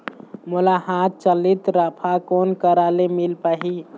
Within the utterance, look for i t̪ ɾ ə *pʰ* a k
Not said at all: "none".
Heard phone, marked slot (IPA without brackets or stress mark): pʰ